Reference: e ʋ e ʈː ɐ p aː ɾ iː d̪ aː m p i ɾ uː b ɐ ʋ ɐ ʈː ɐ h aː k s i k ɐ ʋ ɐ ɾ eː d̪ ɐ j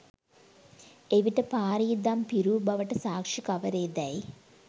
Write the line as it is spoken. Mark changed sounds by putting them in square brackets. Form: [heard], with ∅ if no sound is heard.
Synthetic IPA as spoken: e ʋ [i] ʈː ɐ p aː ɾ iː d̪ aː m p i ɾ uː b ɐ ʋ ɐ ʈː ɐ [s] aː k [ʂ] i k ɐ ʋ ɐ ɾ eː d̪ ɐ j

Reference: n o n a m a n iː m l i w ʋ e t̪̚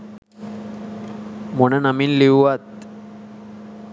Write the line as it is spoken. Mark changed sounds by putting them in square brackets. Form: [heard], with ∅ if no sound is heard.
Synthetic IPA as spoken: [m] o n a [n] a [m] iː [n] l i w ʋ [a] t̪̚

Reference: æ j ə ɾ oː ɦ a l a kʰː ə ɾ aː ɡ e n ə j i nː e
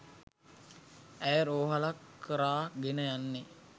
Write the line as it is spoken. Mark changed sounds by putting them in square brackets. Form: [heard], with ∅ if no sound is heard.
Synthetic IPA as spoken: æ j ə ɾ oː ɦ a l a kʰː ə ɾ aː ɡ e n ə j [a] nː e

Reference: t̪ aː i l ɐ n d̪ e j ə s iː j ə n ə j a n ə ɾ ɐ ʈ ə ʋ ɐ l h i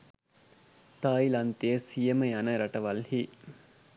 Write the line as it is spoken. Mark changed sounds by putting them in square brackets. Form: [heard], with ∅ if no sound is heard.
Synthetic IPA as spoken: t̪ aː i l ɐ n [t̪] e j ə s [i] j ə [m] ə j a n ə ɾ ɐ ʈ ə ʋ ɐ l h i

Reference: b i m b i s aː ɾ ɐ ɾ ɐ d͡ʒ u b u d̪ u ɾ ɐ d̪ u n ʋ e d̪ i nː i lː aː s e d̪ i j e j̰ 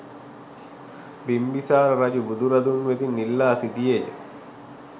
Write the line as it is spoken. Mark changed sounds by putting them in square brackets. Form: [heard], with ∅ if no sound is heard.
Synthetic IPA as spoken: b i m b i s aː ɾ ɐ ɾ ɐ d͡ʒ u b u d̪ u ɾ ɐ d̪ u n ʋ e [t̪] i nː i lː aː s [i] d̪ i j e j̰

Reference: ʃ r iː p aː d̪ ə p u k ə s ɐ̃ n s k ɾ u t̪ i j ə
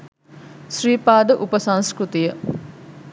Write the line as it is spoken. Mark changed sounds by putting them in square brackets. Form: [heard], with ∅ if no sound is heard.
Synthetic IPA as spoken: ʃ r iː p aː d̪ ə [ʔ] u [p] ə s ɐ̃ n s k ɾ u t̪ i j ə

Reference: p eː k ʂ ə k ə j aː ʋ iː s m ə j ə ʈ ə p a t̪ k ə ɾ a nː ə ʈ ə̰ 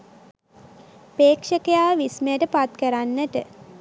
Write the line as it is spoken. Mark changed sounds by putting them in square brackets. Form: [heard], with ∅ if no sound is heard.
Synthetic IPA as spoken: p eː k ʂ ə k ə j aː ʋ [i] s m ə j ə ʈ ə p a t̪ k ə ɾ a nː ə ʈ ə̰

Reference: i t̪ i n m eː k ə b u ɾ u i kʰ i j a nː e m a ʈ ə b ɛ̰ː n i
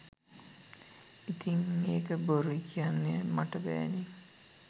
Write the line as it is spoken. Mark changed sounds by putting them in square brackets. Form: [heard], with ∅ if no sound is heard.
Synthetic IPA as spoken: i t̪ i [ŋ] m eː k ə b [o] ɾ u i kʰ i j a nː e m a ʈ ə b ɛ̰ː n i

